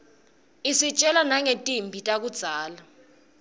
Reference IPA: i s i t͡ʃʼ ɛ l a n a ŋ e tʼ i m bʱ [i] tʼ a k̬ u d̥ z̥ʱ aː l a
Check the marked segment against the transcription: correct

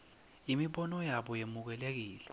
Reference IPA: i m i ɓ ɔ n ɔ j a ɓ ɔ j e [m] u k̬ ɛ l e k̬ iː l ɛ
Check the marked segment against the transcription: correct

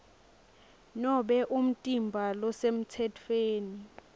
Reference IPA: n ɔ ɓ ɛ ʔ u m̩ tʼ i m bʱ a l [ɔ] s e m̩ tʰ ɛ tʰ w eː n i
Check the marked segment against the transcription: correct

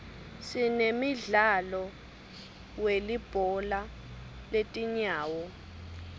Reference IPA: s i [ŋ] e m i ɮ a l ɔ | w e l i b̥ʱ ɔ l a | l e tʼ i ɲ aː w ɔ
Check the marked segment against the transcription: incorrect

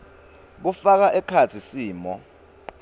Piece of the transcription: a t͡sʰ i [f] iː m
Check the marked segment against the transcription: incorrect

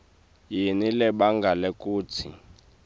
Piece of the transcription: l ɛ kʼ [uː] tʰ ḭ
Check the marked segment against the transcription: correct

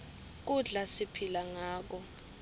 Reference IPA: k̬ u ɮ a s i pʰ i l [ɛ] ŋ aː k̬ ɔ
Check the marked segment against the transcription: incorrect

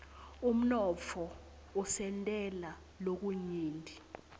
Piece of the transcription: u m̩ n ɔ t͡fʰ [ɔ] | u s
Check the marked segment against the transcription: correct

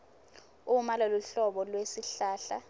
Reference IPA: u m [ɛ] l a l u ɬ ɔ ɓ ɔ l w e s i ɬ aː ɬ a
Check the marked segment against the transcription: incorrect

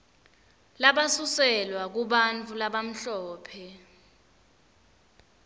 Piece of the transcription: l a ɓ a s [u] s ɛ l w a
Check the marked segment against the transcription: correct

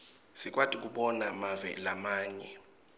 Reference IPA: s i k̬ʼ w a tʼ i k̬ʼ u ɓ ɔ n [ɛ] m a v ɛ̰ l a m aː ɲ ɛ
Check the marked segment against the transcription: incorrect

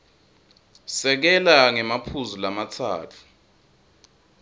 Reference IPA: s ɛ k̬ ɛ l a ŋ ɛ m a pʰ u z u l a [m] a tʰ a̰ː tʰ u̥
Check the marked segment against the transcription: correct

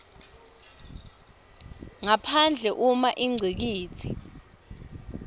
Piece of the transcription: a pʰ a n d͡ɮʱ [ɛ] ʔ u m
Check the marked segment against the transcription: correct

